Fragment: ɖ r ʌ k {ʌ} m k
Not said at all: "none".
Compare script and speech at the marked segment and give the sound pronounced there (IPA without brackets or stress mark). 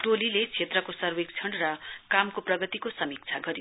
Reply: a